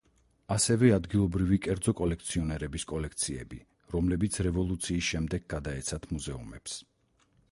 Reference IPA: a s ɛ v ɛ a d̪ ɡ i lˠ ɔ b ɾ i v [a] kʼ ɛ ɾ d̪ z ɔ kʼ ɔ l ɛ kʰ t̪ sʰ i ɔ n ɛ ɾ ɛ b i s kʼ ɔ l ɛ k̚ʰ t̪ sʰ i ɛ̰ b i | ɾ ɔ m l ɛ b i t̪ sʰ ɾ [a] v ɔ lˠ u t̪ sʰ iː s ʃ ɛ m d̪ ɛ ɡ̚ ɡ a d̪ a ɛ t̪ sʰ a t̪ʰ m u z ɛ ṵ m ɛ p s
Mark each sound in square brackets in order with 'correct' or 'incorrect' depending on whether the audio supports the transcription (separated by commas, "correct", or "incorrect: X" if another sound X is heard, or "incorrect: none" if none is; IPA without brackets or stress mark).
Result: incorrect: i, incorrect: ɛ